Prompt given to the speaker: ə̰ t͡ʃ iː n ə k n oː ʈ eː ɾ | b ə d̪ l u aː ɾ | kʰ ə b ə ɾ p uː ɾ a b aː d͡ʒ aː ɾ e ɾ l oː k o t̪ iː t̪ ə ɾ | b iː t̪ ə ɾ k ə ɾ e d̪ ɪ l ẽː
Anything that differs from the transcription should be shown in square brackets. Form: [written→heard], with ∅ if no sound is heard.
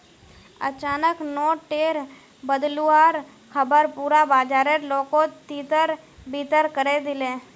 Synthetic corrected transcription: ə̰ t͡ʃ [iː→aː] n ə k n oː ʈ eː ɾ | b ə d̪ l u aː ɾ | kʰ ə b ə ɾ p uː ɾ a b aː d͡ʒ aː ɾ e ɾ l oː k o t̪ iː t̪ ə ɾ | b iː t̪ ə ɾ k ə ɾ e d̪ ɪ l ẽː

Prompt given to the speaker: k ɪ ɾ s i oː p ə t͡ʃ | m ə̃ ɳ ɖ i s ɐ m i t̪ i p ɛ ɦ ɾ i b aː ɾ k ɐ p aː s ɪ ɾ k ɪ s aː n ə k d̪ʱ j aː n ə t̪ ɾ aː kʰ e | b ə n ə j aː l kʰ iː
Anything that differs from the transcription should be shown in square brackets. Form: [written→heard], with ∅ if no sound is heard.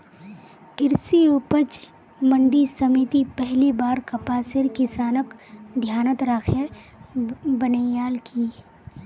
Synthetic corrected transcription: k ɪ ɾ s i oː p ə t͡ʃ | m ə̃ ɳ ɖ i s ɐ m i t̪ i p ɛ ɦ [ɾ→l] i b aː ɾ k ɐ p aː s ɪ ɾ k ɪ s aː n ə k d̪ʱ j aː n ə t̪ ɾ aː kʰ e | b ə n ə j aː l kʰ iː

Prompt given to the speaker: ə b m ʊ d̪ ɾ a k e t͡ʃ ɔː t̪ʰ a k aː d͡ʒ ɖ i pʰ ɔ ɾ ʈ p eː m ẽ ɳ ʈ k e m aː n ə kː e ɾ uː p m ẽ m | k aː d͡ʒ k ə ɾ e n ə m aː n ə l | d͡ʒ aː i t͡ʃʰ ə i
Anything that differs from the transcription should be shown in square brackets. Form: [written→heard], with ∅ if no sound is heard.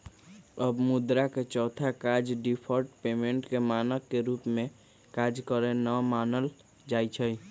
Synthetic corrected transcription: ə b m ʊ d̪ ɾ a k e t͡ʃ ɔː t̪ʰ a k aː d͡ʒ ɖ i pʰ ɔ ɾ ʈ p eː m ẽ ɳ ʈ k e m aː n ə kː e ɾ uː p m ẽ [m→∅] | k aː d͡ʒ k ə ɾ e n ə m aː n ə l | d͡ʒ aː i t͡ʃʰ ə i

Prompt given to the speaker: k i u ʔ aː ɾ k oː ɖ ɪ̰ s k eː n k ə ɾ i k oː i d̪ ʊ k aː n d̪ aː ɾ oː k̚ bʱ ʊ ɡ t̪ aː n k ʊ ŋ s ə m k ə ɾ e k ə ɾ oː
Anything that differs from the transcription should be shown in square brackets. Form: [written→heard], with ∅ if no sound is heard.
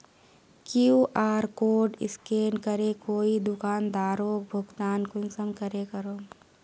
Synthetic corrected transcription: k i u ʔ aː ɾ k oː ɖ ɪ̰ s k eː n k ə ɾ [i→e] k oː i d̪ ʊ k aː n d̪ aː ɾ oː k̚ bʱ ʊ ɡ t̪ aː n k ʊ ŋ s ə m k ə ɾ e k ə ɾ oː

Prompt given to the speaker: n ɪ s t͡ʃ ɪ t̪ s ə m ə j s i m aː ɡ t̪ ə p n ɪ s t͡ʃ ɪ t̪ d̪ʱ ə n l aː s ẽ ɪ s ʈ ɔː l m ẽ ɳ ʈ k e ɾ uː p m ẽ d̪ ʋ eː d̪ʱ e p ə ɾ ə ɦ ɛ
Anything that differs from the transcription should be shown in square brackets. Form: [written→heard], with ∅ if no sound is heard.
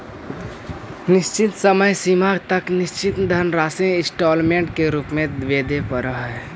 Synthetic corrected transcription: n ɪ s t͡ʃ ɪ t̪ s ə m ə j s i m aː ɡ t̪ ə [p→k] n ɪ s t͡ʃ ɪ t̪ d̪ʱ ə n [l→ɾ] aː s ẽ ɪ s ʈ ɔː l m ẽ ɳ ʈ k e ɾ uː p m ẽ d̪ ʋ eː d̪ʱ e p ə ɾ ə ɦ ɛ

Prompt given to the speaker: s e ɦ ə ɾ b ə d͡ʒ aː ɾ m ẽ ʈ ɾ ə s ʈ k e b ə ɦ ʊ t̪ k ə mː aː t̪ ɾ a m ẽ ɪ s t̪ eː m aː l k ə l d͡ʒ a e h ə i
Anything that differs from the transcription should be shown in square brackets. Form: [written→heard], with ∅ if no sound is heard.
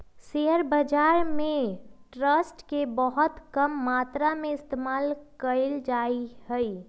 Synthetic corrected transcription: s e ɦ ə ɾ b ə d͡ʒ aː ɾ m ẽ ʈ ɾ ə s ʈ k e b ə ɦ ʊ t̪ k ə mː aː t̪ ɾ a m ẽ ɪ s t̪ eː m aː l k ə l d͡ʒ a [e→i] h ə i

